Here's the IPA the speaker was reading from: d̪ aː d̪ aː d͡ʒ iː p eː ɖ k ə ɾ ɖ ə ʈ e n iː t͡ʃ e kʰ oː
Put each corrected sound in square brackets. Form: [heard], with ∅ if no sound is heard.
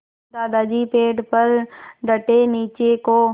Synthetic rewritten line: d̪ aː d̪ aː d͡ʒ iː p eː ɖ [p] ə ɾ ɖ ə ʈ e n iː t͡ʃ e [k] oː